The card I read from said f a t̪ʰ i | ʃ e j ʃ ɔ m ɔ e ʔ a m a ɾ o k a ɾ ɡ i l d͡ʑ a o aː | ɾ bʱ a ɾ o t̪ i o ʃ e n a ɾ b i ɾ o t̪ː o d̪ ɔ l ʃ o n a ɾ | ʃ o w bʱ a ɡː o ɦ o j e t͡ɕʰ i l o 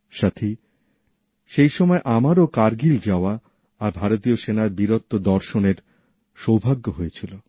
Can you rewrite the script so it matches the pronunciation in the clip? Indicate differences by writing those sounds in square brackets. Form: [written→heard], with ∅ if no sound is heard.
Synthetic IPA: [f→ʃ] a t̪ʰ i | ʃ e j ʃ ɔ m ɔ e ʔ a m a ɾ o k a ɾ ɡ i l d͡ʑ a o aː | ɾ bʱ a ɾ o t̪ i o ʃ e n a ɾ b i ɾ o t̪ː o d̪ ɔ [l→ɾ] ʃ o n [a→e] ɾ | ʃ o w bʱ a ɡː o ɦ o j e t͡ɕʰ i l o